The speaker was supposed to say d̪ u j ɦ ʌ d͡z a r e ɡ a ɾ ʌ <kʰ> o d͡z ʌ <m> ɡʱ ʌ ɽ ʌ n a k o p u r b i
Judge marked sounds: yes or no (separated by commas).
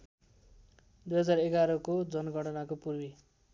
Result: no, no